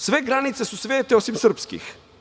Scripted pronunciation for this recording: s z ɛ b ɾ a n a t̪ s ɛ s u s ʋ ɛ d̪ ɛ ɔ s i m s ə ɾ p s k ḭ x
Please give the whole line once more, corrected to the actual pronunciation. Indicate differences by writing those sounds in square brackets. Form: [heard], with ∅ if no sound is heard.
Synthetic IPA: s [v] ɛ [ɡ] ɾ a n [i] t̪ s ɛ s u s [v] ɛ [t̪] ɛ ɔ s i m s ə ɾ p s k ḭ x